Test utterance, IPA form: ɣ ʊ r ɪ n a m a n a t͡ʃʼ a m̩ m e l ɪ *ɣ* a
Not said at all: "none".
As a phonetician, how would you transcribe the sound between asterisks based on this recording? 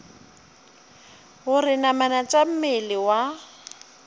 w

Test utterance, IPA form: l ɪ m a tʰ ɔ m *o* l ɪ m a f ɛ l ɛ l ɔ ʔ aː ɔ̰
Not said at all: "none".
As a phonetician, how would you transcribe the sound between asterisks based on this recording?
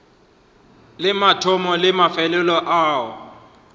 ɔ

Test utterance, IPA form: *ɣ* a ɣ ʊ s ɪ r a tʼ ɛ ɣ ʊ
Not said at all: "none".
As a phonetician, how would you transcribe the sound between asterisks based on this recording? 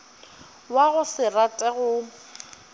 w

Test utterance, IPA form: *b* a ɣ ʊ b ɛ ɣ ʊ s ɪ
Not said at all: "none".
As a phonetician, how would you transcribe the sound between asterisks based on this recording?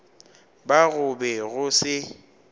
b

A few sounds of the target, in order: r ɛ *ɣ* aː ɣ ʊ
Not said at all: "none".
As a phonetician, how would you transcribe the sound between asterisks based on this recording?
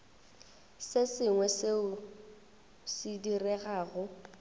ɣ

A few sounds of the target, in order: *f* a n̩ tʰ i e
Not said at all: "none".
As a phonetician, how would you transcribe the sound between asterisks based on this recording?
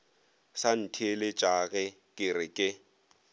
s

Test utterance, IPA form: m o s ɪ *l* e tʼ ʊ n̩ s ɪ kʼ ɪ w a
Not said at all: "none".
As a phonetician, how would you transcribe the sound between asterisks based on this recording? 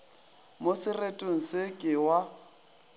r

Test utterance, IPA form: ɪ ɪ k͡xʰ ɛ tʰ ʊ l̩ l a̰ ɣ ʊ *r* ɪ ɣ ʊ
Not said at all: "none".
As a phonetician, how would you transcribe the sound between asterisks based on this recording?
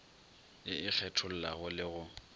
l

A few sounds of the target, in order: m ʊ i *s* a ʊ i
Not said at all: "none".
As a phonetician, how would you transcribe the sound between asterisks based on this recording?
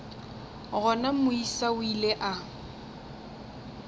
s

